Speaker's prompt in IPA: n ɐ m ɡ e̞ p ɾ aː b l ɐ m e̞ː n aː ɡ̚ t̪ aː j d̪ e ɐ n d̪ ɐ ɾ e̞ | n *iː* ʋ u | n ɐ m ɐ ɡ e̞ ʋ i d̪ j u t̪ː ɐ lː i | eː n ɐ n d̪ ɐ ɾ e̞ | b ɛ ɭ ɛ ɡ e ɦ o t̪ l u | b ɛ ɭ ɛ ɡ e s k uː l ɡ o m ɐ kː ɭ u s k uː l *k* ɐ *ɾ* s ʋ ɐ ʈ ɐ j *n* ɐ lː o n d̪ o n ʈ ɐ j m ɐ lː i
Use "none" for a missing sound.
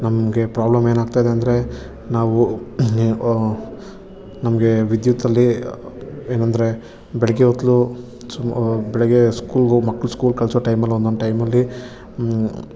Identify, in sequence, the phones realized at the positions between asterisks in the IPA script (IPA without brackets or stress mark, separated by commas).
aː, k, ɭ, m